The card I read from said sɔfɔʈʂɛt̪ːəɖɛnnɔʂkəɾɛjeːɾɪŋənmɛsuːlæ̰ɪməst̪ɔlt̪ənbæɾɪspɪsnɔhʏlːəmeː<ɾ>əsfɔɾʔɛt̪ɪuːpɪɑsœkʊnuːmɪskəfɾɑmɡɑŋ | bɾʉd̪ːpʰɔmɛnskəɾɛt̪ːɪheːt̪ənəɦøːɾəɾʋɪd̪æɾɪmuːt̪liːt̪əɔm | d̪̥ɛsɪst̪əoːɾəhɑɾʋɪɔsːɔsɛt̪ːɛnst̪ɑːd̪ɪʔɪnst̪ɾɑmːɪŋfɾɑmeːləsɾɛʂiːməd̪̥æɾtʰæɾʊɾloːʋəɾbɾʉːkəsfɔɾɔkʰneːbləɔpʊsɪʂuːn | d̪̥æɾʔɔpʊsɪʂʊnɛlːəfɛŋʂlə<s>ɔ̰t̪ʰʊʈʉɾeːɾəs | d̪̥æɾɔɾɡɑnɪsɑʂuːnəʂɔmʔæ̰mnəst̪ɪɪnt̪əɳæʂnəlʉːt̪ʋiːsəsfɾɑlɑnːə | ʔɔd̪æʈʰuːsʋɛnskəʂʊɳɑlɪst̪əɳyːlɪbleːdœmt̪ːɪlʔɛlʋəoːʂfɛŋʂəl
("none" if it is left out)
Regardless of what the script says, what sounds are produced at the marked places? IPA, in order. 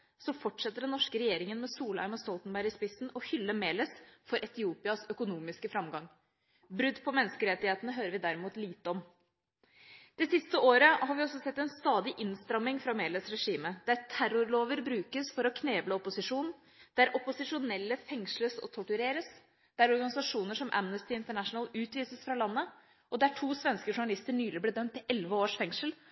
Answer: l, s

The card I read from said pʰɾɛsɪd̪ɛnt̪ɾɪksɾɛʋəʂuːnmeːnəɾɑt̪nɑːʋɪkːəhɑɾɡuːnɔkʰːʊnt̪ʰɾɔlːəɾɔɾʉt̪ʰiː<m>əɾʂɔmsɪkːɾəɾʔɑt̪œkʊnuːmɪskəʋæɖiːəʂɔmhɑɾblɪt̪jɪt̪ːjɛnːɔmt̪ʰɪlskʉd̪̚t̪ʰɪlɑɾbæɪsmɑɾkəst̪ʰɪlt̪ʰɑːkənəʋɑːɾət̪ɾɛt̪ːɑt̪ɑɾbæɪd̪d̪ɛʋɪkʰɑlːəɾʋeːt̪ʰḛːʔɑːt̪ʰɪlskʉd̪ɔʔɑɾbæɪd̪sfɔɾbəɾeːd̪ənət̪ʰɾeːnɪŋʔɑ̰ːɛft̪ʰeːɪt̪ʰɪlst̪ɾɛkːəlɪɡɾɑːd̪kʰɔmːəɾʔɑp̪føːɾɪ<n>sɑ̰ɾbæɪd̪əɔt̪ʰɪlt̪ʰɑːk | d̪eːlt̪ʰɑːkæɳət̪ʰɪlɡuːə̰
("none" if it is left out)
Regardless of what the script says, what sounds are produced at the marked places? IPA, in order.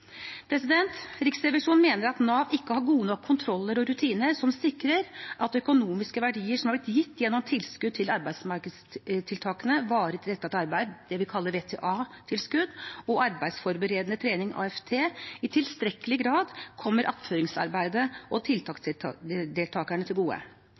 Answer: n, ŋ

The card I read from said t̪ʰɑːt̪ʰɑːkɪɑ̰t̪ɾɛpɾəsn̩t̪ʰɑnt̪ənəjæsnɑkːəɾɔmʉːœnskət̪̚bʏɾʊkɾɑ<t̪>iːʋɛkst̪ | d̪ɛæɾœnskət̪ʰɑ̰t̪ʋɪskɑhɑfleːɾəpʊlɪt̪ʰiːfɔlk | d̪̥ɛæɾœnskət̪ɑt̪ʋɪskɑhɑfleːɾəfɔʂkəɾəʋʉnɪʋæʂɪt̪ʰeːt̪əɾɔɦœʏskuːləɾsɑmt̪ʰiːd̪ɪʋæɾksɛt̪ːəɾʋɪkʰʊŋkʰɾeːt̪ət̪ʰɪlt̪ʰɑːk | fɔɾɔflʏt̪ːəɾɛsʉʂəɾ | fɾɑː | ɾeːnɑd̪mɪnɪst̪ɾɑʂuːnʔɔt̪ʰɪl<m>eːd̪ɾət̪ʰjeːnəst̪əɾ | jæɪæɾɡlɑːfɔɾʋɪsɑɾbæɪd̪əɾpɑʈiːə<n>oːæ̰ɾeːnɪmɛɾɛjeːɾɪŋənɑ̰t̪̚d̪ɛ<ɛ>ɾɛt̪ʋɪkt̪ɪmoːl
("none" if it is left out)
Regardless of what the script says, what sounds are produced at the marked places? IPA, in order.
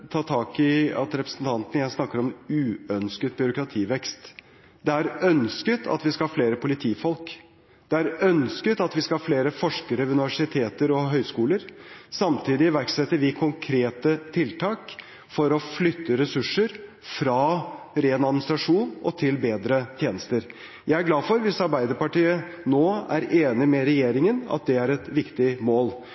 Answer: t̪ʰ, b, n, æ

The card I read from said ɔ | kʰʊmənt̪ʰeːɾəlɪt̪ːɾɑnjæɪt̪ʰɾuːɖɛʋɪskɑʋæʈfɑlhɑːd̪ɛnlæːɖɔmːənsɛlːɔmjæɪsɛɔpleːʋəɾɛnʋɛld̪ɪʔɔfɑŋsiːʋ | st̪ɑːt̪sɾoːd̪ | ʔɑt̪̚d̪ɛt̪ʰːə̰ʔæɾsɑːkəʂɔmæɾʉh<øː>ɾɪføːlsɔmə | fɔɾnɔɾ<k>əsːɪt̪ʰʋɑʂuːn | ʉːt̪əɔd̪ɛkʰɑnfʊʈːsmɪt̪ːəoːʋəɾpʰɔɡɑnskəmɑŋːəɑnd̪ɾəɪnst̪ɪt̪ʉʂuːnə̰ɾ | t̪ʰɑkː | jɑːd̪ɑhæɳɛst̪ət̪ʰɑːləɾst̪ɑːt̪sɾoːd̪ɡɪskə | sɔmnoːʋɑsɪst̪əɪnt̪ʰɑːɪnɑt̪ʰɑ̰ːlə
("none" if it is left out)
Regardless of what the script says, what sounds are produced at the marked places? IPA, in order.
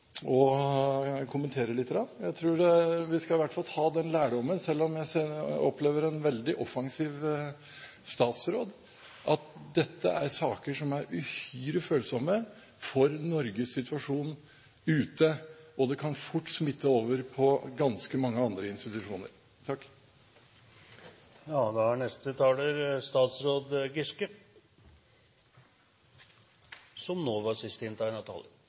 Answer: yː, ɡ

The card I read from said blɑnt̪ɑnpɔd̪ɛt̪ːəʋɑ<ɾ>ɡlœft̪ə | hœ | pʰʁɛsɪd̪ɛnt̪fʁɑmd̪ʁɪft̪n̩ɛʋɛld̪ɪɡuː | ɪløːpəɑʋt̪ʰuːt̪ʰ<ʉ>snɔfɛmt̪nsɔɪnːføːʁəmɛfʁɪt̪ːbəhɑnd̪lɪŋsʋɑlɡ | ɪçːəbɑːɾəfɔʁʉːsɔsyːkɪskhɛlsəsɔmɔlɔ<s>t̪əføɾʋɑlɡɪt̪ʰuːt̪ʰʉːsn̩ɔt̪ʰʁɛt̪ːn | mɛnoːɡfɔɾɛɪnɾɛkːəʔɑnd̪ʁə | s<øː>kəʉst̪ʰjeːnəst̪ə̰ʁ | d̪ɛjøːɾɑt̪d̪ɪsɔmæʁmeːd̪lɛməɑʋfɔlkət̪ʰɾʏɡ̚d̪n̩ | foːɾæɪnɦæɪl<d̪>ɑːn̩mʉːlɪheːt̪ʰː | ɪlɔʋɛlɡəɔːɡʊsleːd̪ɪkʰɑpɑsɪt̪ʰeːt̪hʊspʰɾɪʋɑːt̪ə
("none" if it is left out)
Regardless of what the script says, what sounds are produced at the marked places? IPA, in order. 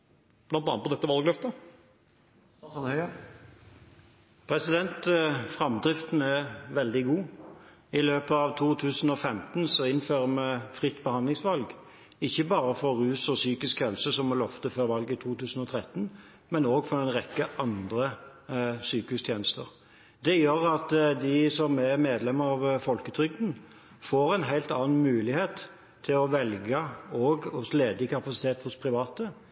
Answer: l, ʉː, f, yː, t̪

